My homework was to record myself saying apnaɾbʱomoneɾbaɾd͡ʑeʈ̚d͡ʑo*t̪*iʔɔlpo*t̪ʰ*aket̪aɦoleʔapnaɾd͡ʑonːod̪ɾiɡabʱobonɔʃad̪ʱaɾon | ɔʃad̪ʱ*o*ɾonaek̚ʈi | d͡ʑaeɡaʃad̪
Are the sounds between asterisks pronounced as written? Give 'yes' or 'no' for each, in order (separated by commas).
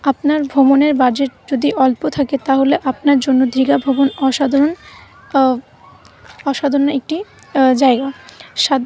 no, yes, yes